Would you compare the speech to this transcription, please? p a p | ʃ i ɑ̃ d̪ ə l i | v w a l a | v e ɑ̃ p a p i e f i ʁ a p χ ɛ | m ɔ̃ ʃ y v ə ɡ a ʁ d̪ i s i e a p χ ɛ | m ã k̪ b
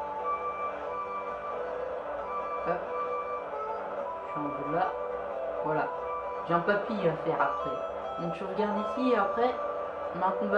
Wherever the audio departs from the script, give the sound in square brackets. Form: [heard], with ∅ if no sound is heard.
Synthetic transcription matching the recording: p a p | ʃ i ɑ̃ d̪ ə l [a] | v w a l a | [ʒ] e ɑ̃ p a p i [a] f [ɛ] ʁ a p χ ɛ | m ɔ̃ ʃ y [ʁ] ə ɡ a ʁ d̪ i s i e a p χ ɛ | m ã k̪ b